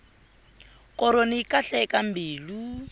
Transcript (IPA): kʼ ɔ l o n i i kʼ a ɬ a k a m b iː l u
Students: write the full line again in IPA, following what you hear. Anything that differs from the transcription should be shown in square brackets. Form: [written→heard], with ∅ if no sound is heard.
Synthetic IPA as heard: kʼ ɔ [l→ɾ] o n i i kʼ a ɬ [a→ɛ] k a m b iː l u